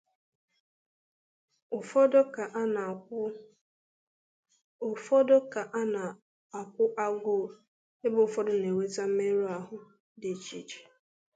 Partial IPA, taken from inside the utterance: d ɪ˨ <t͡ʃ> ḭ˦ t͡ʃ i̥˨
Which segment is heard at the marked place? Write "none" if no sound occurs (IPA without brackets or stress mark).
t͡ʃ